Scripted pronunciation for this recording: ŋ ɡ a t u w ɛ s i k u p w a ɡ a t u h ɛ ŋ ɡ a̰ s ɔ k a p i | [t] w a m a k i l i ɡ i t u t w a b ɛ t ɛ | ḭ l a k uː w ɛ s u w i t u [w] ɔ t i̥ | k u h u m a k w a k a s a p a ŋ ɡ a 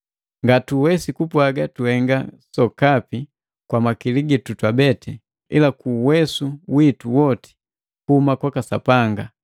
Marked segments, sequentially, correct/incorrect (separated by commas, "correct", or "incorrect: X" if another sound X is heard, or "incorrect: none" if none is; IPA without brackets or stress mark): incorrect: k, correct